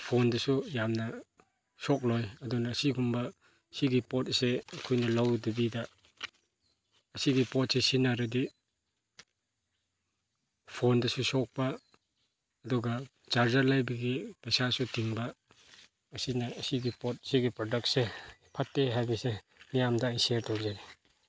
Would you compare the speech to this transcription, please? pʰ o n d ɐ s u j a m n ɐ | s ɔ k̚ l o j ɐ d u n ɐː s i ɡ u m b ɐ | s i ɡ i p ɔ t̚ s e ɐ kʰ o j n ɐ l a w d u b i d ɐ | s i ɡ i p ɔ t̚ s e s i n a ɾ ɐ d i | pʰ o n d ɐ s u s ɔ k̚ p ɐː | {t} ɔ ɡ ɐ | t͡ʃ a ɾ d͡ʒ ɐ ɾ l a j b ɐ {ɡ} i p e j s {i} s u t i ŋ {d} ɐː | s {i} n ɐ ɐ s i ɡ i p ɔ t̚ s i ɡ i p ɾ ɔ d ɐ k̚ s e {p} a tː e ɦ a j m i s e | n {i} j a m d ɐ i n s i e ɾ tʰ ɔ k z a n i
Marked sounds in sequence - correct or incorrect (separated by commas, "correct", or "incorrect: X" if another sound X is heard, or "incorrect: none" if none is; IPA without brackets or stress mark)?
incorrect: d, correct, incorrect: a, incorrect: b, correct, incorrect: pʰ, correct